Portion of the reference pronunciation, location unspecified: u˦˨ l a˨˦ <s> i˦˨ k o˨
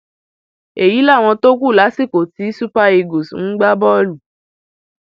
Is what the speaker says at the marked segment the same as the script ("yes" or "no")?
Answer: yes